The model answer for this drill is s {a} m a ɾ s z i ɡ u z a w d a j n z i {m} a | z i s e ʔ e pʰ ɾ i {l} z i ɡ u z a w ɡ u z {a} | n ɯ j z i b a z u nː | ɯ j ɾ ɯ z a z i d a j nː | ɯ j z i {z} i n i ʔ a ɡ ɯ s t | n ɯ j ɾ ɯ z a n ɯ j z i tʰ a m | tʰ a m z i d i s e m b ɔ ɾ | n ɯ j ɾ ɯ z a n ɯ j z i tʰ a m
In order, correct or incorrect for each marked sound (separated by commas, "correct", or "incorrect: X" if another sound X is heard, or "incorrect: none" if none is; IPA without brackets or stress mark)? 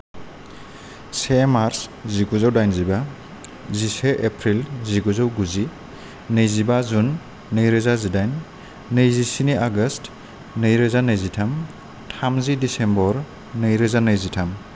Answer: incorrect: e, incorrect: b, correct, incorrect: i, incorrect: s